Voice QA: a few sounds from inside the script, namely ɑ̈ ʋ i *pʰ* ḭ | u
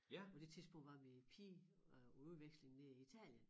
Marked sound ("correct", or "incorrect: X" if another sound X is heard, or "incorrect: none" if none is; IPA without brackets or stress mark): correct